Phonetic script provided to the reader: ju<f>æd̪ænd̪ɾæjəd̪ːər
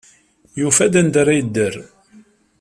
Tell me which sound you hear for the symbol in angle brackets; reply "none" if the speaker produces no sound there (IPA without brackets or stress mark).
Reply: f